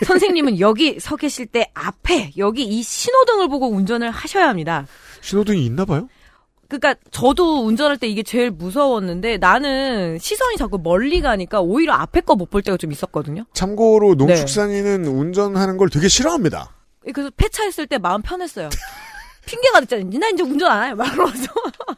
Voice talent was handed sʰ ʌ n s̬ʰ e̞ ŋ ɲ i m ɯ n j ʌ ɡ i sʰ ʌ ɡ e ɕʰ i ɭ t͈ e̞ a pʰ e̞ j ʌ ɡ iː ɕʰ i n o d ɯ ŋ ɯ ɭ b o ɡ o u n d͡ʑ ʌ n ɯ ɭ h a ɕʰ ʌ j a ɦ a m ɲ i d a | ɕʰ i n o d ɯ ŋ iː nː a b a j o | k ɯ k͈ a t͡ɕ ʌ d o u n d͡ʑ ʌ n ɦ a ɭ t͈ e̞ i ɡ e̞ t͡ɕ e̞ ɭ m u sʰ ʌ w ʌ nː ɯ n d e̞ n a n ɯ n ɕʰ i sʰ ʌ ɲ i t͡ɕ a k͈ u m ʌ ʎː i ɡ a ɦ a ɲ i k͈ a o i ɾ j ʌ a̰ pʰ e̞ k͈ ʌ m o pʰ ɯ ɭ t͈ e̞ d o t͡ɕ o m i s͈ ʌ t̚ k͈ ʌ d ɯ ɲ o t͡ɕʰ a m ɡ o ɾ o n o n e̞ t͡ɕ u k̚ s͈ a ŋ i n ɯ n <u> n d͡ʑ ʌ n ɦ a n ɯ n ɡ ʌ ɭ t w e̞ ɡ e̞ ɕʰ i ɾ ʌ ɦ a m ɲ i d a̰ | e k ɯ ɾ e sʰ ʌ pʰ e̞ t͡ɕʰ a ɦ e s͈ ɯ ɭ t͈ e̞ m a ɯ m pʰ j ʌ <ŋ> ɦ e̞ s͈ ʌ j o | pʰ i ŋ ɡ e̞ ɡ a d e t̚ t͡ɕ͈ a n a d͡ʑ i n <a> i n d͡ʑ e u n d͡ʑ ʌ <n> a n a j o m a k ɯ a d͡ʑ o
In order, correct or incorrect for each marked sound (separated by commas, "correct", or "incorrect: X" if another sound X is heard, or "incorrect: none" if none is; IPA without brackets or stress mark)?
correct, incorrect: n, correct, correct